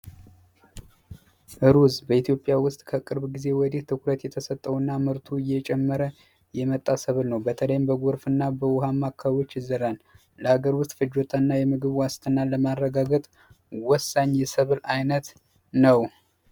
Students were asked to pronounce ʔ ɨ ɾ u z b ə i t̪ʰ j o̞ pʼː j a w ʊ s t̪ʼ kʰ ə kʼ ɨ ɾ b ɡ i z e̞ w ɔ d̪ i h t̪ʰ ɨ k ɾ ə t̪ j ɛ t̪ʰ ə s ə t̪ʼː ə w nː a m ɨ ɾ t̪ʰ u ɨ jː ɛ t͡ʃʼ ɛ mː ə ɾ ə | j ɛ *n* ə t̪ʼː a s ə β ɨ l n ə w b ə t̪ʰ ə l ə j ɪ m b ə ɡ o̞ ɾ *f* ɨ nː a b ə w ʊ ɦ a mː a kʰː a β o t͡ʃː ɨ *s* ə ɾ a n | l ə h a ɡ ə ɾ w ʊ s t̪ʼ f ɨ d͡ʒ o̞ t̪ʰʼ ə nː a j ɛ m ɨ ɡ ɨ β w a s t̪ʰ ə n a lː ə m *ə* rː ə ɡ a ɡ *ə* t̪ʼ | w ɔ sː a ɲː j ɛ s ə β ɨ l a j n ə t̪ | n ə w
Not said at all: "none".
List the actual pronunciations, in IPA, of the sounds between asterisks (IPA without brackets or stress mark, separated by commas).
m, f, z, a, ə